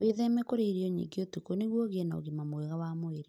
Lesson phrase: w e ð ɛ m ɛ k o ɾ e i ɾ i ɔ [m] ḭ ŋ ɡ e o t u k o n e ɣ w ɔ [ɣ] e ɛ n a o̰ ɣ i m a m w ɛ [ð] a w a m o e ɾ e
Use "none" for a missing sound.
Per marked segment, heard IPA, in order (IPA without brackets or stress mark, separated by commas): ɲ, ɣ, ɣ